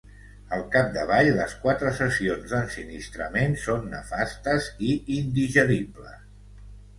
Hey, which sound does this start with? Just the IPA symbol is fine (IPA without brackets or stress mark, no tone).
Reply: ə